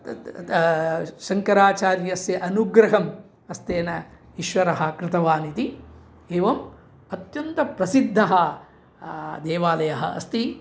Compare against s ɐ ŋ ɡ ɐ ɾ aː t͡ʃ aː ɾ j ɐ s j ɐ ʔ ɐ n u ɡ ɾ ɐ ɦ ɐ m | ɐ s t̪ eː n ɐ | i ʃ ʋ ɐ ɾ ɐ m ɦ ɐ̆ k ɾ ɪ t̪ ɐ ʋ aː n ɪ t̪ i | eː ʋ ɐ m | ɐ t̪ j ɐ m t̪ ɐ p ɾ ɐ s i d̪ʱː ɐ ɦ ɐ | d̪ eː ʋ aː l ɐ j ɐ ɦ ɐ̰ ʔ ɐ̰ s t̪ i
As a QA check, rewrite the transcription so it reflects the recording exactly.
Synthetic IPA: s ɐ ŋ k ɐ ɾ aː t͡ʃ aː ɾ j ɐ s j ɐ ʔ ɐ n u ɡ ɾ ɐ ɦ ɐ m | ɐ s t̪ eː n ɐ | i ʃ ʋ ɐ ɾ ɐ ɦ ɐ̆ k ɾ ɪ t̪ ɐ ʋ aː n i t̪ i | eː ʋ ɐ m | ɐ t̪ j ɐ n t̪ ɐ p ɾ ɐ s i d̪ʱː ɐ ɦ ɐ | d̪ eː ʋ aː l ɐ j ɐ ɦ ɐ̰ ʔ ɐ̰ s t̪ i